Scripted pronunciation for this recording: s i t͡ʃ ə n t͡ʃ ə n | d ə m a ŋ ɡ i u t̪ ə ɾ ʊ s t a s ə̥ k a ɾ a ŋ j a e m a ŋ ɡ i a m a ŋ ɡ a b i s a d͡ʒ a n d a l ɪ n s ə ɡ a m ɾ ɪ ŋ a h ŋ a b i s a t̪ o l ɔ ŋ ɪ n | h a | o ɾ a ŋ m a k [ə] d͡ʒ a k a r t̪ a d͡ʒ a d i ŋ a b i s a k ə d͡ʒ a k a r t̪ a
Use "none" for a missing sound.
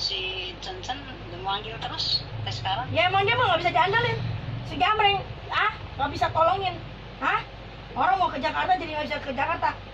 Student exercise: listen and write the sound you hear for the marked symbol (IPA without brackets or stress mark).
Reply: ə